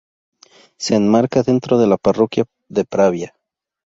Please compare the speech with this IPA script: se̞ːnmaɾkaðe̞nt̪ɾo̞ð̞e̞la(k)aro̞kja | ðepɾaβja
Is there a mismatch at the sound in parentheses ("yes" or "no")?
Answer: yes